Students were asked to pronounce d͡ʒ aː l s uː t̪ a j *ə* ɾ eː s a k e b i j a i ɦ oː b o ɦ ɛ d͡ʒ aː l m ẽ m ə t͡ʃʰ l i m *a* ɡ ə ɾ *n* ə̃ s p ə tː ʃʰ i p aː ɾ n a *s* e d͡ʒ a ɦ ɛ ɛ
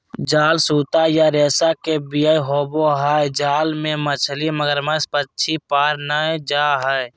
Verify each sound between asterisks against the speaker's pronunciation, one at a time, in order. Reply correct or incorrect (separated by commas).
incorrect, incorrect, incorrect, incorrect